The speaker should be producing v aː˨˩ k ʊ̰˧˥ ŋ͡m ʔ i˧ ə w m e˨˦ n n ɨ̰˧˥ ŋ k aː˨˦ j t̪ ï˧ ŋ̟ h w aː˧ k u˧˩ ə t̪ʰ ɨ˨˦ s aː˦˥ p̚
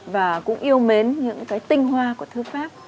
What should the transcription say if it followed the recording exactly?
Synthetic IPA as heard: v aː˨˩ k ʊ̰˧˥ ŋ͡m ʔ i˧ ə w m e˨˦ n ɲ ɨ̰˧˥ ŋ k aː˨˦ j t̪ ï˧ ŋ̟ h w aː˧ k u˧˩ ə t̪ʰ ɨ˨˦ f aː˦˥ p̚